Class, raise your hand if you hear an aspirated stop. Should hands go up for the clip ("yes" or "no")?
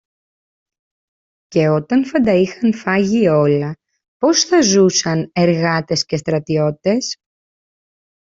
no